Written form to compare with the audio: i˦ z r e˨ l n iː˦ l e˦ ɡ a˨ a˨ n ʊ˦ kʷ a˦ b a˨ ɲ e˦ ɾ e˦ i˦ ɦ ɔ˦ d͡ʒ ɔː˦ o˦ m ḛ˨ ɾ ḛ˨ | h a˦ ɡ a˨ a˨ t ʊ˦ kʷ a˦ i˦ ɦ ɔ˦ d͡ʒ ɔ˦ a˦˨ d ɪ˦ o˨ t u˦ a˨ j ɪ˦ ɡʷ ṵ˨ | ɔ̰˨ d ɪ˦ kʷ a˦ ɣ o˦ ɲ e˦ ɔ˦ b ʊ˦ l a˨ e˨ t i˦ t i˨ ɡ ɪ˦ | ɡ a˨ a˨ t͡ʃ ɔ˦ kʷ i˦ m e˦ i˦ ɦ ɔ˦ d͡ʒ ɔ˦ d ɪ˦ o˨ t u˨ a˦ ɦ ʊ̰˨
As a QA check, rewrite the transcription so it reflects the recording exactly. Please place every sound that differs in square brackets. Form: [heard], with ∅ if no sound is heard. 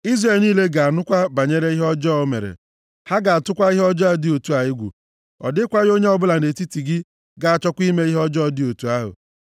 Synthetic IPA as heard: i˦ z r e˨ l n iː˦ l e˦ ɡ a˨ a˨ n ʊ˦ kʷ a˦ b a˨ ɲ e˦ ɾ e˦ i˦ ɦ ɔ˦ d͡ʒ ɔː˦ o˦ m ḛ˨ ɾ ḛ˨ | h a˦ ɡ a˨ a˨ t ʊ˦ kʷ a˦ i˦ ɦ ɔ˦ d͡ʒ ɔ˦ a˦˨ d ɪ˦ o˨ t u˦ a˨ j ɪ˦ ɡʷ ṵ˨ | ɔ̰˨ d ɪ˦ kʷ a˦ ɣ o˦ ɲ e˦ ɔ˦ b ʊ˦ l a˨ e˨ t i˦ t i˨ ɡ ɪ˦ | ɡ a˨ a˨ t͡ʃ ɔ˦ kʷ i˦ m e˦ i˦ ɦ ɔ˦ d͡ʒ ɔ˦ d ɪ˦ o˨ t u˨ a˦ ɦ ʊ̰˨